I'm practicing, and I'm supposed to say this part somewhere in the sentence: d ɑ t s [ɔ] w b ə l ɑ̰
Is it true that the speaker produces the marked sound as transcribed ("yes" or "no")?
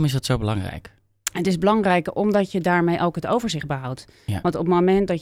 no